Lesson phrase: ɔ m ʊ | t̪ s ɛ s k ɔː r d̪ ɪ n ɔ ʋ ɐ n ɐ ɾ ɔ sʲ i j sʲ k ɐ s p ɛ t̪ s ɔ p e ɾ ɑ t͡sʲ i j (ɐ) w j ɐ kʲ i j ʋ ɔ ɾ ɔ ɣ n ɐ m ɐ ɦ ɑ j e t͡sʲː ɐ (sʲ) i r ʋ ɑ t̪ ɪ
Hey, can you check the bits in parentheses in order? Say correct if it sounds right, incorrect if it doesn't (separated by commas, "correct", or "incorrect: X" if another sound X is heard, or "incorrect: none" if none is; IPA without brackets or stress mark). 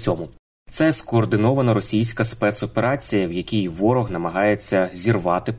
correct, incorrect: zʲ